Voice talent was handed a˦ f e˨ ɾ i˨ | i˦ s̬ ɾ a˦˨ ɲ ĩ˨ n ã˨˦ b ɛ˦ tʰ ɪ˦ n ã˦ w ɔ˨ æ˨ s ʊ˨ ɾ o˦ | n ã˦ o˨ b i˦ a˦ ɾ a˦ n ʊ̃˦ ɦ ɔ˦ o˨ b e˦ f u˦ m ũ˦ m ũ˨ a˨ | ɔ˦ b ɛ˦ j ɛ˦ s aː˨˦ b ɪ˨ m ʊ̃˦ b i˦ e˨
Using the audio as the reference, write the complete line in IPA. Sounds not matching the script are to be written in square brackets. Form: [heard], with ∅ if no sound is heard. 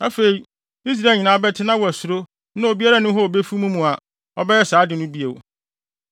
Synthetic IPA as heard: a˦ f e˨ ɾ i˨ | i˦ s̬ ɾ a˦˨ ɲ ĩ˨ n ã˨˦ b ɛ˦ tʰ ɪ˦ n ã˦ w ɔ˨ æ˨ s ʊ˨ ɾ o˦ | n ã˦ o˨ b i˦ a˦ ɾ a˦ n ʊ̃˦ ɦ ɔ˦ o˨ b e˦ f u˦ m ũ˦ m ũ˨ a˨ | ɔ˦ b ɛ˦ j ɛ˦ s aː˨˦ [d] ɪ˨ [n] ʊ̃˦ b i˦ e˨

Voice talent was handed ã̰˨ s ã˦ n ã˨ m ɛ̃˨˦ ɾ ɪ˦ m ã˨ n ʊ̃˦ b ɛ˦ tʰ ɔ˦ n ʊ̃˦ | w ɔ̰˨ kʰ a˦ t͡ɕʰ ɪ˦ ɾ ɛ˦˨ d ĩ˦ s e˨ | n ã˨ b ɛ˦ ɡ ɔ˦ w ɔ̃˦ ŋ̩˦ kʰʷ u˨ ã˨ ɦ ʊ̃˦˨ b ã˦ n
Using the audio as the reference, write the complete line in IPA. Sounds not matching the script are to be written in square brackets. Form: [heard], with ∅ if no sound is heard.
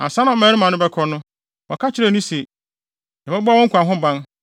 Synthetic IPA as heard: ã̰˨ s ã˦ n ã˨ m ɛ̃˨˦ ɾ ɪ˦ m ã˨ n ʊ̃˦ b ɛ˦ [kʰ] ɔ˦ n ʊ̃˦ | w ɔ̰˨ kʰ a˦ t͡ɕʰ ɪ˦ ɾ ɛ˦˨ [n] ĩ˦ s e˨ | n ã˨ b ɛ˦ [b] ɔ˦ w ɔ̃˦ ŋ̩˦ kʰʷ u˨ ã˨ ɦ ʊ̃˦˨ b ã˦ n

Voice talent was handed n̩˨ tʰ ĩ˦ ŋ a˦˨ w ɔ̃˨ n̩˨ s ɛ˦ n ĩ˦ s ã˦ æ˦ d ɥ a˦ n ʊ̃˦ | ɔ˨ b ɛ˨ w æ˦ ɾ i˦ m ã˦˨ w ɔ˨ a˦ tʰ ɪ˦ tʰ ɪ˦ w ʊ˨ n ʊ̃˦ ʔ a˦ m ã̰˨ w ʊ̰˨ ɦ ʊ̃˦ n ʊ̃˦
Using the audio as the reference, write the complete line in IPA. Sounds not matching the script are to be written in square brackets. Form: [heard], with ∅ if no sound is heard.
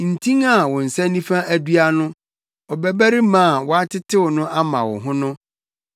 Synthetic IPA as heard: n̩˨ tʰ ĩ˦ ŋ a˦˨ w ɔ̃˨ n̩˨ s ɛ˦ n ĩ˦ [f] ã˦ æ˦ d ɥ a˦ n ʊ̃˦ | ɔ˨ b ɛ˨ [b] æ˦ ɾ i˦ m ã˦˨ w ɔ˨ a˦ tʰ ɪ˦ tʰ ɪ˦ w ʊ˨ n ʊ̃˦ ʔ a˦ m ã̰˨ w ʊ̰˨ ɦ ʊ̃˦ n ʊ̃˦

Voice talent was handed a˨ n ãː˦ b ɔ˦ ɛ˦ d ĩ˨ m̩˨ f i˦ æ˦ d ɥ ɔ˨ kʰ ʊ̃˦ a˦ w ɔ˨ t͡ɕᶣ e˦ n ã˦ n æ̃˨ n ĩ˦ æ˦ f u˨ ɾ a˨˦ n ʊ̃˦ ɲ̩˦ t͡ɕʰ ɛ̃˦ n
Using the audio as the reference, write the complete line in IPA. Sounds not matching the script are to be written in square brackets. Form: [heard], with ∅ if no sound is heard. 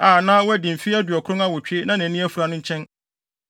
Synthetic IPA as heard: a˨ n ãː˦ [w] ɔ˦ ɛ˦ d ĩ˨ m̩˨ f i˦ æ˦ d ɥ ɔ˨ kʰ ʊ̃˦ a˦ w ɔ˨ t͡ɕᶣ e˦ n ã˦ n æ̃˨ n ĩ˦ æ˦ f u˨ ɾ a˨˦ n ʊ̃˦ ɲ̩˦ t͡ɕʰ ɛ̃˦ n

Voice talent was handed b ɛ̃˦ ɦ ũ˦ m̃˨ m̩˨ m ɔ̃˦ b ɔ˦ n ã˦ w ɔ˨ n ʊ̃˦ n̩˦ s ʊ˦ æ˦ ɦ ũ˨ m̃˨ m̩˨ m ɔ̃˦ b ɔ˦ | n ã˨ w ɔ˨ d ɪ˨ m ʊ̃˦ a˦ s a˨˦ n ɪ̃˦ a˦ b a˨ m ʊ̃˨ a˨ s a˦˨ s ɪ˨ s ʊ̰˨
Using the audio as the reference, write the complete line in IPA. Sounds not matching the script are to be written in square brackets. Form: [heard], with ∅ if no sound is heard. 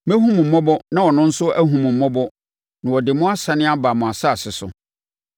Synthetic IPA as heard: [m] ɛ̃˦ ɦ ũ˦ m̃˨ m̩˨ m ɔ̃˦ b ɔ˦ n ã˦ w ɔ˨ n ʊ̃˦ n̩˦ s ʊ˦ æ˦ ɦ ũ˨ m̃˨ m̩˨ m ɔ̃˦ b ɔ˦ | n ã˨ w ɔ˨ d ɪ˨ m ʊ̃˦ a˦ s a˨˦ n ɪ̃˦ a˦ b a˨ m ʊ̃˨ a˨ s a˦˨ s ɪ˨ s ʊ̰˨

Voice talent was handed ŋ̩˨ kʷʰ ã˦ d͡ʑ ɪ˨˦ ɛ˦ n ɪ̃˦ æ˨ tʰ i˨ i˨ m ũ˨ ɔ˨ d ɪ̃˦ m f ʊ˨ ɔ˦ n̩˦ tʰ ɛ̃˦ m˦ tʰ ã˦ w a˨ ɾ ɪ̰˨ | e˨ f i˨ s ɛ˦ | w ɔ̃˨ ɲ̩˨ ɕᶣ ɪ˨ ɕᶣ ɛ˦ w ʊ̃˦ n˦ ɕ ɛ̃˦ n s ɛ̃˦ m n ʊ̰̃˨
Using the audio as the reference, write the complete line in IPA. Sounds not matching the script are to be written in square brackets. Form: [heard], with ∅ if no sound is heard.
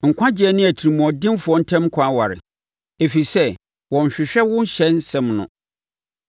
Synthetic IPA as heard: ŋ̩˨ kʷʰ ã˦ d͡ʑ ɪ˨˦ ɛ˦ n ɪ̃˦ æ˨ tʰ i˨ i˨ m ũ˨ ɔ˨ d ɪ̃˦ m f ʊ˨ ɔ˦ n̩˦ tʰ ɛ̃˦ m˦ [kʰ] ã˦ w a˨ ɾ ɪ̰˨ | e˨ f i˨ s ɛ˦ | w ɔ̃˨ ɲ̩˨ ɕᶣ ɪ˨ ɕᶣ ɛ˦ w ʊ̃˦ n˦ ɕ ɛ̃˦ n s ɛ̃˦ m n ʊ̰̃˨

